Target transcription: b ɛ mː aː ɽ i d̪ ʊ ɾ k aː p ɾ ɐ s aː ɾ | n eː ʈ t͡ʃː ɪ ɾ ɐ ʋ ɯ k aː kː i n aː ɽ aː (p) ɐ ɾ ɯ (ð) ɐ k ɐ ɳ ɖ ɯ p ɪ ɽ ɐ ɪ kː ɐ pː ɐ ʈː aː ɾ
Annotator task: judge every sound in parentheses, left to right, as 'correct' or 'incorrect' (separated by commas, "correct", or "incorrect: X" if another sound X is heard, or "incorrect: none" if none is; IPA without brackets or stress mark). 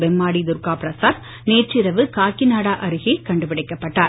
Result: incorrect: ʔ, incorrect: ɣ